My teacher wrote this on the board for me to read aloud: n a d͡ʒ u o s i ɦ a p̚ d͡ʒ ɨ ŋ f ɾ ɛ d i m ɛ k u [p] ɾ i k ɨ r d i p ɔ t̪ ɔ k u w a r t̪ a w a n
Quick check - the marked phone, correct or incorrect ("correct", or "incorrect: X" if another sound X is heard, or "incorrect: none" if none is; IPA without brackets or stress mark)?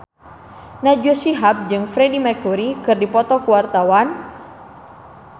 incorrect: none